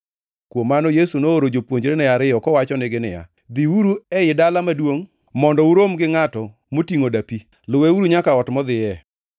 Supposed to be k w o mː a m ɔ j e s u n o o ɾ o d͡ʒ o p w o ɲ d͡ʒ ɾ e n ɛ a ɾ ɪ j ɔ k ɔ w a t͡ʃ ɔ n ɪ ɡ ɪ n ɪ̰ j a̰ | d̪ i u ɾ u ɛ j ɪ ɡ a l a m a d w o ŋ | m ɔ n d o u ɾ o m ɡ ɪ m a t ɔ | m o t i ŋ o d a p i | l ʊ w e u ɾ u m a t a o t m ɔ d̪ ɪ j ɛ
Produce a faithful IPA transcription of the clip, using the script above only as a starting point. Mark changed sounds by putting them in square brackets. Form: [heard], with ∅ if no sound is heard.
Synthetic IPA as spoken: k w o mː a [n] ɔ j e s u n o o ɾ o d͡ʒ o p w o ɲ d͡ʒ ɾ e n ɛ a ɾ ɪ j ɔ k ɔ w a t͡ʃ ɔ n ɪ ɡ ɪ n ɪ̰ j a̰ | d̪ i u ɾ u ɛ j ɪ [d] a l a m a d w o ŋ | m ɔ n d [ɔ] u ɾ o m ɡ ɪ [ŋ] a t ɔ | m o t i ŋ o d a p i | l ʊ w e u ɾ u [ɲ] a [k] a [ɔ] t m ɔ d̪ ɪ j ɛ